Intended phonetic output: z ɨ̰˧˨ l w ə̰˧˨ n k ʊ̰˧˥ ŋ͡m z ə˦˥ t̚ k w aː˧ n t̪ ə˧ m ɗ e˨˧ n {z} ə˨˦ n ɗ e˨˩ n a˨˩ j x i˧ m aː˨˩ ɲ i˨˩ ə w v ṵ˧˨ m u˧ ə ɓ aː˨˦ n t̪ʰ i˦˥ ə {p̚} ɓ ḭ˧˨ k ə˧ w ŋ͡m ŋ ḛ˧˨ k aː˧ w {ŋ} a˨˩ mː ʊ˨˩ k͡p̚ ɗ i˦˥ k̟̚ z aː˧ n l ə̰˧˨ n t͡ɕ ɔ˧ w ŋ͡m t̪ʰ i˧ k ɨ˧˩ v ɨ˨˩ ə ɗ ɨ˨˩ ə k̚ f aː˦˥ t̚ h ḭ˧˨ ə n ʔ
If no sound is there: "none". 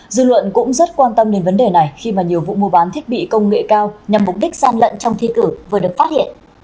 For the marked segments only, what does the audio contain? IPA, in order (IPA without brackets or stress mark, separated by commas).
v, t̚, ɲ